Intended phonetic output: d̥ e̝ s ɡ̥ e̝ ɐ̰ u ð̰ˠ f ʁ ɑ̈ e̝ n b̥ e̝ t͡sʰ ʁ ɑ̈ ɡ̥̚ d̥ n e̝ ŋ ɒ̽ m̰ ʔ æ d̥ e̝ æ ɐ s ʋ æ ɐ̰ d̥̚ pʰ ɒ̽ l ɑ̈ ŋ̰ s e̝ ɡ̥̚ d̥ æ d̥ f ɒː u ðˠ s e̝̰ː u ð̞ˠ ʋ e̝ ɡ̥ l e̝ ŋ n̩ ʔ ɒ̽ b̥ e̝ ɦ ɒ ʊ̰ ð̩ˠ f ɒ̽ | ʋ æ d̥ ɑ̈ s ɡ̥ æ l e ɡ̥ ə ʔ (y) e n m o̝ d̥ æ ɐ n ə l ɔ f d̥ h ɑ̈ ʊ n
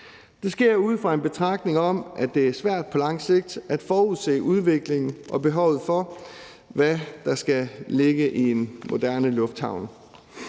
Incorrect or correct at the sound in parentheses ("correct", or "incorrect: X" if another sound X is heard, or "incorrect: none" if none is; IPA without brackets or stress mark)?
incorrect: i